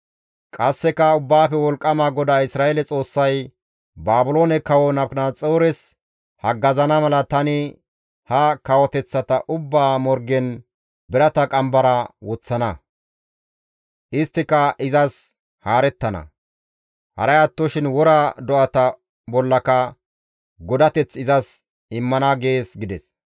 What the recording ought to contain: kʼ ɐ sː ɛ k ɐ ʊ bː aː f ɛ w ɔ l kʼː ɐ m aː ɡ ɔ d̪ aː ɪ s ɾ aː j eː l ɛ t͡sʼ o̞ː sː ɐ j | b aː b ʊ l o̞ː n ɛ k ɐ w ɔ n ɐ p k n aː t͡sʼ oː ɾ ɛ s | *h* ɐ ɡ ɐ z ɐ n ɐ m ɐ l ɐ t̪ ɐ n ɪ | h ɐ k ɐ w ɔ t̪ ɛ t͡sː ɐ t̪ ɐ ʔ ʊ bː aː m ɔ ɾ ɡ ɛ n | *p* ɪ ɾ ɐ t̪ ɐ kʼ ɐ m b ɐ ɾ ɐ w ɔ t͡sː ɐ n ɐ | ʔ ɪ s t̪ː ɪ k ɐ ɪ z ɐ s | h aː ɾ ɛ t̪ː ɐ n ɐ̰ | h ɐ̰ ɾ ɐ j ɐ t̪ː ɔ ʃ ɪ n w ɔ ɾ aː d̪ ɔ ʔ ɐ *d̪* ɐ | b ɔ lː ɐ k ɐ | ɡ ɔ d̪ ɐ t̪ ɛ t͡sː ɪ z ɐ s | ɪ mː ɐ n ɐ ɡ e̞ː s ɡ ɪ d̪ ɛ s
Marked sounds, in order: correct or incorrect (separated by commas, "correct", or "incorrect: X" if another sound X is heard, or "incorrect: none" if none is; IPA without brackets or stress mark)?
correct, incorrect: b, incorrect: t̪